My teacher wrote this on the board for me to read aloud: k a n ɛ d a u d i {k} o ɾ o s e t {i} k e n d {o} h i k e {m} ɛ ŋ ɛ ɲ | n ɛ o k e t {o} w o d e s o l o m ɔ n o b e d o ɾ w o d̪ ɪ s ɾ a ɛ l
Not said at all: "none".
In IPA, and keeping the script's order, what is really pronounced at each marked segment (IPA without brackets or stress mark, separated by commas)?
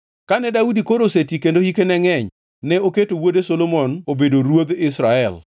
k, i, o, n, o